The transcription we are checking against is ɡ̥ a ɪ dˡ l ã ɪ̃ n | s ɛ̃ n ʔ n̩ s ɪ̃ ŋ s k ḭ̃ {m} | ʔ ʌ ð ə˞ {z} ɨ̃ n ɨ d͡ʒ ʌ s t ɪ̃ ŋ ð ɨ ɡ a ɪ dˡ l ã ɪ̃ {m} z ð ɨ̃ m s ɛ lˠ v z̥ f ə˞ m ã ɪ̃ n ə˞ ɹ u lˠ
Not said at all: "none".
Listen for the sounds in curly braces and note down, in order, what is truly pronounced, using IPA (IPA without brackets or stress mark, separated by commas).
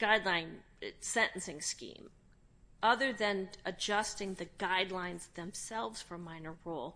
m, ð, n